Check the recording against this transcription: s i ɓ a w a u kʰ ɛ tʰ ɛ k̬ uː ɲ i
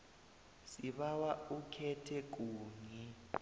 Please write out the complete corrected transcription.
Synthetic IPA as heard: s i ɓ a w a u kʰ ɛ tʰ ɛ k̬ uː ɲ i